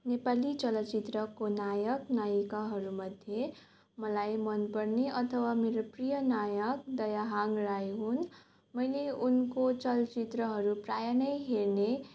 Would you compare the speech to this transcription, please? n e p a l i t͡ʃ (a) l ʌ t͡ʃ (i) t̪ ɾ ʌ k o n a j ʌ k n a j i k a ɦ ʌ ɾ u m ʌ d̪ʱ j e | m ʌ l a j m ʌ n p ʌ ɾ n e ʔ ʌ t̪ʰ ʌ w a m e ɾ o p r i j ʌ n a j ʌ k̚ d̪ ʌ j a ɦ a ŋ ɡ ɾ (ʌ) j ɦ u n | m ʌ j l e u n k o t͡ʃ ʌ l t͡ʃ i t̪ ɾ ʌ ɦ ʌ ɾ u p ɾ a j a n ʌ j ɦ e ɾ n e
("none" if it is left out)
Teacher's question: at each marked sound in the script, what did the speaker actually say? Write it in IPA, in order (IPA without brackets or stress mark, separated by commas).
ʌ, i, a